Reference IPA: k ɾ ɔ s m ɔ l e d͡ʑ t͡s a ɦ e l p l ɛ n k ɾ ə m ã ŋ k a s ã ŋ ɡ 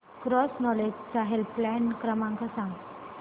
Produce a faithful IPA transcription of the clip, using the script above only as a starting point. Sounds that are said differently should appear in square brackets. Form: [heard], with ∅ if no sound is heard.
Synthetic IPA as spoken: k ɾ ɔ s [n] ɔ l e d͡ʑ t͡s a ɦ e l p l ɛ n k ɾ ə m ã ŋ k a s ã ŋ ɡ

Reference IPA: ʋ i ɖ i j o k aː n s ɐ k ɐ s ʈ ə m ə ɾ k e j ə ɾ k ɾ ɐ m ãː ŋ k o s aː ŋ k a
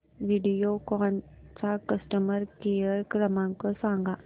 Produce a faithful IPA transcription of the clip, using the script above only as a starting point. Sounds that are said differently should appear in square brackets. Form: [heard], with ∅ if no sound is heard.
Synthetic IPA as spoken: ʋ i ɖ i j o k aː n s [a] k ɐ s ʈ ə m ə ɾ k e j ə ɾ k ɾ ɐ m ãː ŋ k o s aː ŋ [ɡ] a

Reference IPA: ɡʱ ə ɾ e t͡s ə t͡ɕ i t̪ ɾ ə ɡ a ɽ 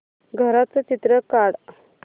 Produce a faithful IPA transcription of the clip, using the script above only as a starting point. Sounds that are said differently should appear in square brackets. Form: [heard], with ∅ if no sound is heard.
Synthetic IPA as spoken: ɡʱ ə ɾ [a] t͡s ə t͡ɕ i t̪ ɾ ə [k] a ɽ

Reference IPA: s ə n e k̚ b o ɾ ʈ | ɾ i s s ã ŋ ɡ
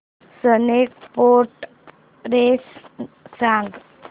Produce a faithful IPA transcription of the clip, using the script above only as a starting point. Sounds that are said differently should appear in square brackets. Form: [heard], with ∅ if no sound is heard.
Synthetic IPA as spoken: s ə n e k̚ [p] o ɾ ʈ | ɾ [e] s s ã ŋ ɡ

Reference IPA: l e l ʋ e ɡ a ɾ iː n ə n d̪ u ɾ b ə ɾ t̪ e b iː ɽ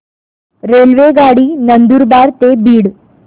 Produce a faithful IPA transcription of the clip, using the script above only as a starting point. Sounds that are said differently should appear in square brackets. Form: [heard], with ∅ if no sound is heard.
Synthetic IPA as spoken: [ɾ] e l ʋ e ɡ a [ɽ] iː n ə n d̪ u ɾ b [a] ɾ t̪ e b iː ɽ

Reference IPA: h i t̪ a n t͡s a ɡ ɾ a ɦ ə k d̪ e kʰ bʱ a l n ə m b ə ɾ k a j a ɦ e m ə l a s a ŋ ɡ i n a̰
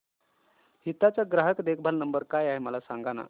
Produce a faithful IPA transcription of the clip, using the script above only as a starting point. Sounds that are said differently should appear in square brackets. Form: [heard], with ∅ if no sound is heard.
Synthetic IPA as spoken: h i t̪ a [∅] t͡s a ɡ ɾ a ɦ ə k d̪ e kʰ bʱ a l n ə m b ə ɾ k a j a ɦ e m ə l a s a ŋ ɡ [a] n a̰

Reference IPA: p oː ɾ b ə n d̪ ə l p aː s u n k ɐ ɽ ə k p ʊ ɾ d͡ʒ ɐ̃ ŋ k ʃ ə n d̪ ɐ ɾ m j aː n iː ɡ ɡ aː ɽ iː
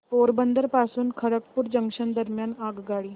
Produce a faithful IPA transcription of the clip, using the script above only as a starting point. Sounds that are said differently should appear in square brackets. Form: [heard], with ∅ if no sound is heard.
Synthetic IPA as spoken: p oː ɾ b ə n d̪ ə [ɾ] p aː s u n [kʰ] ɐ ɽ ə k p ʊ ɾ d͡ʒ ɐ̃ ŋ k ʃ ə n d̪ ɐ ɾ m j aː n [aː] ɡ ɡ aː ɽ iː

